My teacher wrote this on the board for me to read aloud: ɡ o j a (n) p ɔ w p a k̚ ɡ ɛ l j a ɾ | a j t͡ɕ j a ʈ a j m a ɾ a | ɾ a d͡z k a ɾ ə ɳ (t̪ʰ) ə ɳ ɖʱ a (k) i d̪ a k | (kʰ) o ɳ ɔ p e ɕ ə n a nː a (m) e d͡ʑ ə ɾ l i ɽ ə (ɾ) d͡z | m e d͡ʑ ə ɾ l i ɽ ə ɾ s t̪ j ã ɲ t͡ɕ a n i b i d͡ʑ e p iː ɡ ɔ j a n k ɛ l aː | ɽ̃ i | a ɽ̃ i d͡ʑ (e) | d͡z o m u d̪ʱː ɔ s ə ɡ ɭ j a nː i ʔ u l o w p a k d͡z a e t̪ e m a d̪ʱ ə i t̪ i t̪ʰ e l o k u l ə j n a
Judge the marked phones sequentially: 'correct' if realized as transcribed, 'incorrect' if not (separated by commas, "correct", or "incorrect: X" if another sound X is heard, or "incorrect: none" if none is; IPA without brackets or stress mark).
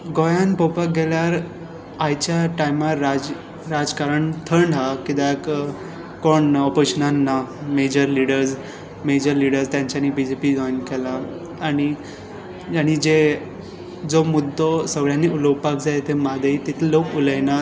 correct, correct, correct, incorrect: k, correct, correct, correct